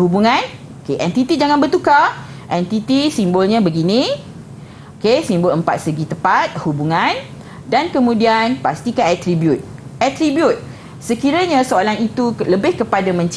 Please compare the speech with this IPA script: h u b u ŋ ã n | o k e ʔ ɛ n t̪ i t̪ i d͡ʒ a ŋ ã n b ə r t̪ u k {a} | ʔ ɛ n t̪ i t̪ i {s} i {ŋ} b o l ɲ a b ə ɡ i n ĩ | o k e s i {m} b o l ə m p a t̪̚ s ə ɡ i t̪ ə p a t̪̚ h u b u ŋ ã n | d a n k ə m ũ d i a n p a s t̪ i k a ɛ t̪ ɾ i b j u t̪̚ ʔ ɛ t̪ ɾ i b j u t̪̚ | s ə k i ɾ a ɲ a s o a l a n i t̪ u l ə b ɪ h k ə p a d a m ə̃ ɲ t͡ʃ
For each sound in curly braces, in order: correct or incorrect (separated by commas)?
correct, correct, incorrect, correct